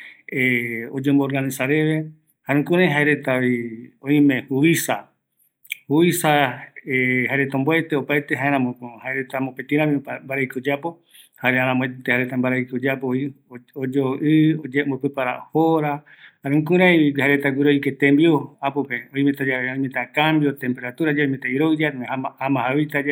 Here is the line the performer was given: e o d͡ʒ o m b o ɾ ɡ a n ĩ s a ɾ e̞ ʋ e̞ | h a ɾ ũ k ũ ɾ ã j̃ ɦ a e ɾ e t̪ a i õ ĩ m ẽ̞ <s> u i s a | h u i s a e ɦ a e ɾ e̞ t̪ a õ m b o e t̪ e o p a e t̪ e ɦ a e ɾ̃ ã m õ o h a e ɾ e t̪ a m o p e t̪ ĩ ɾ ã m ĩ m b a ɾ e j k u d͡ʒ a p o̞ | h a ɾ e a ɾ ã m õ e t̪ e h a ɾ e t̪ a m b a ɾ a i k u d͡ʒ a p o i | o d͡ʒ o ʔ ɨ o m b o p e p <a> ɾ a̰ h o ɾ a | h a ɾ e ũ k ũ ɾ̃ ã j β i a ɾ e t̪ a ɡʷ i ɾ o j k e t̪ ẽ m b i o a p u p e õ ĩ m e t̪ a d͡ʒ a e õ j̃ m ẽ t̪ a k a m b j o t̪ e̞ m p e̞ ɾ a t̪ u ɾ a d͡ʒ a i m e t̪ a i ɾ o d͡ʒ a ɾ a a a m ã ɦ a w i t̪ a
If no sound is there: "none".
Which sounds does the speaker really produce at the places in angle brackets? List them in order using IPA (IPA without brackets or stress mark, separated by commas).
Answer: h, a